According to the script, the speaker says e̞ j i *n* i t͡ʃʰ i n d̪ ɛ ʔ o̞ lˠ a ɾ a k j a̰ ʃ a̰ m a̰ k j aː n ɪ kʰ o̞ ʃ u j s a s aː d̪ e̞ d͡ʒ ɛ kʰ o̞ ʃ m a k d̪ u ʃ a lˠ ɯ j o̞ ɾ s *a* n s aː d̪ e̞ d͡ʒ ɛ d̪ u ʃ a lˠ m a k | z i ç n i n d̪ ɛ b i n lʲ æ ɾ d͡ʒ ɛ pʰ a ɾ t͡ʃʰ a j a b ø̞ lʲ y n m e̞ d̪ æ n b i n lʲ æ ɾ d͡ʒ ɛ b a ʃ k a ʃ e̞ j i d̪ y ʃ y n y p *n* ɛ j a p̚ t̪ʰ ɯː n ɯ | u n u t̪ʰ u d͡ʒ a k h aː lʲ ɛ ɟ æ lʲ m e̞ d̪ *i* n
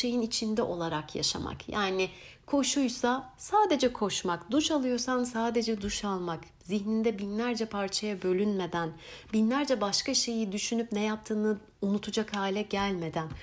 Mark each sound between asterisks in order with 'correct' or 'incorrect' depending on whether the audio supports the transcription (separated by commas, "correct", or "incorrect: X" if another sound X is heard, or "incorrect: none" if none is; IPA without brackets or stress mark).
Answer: correct, correct, correct, incorrect: æ